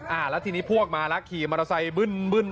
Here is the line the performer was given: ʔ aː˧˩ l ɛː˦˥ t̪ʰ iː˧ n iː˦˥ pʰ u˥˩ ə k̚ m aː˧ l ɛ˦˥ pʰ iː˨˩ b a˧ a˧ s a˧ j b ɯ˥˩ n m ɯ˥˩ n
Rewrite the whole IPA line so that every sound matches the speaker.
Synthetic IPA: ʔ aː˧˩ l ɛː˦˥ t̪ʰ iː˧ n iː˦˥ pʰ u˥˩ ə k̚ m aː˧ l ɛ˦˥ kʰ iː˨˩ m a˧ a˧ s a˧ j b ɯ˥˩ n b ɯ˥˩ n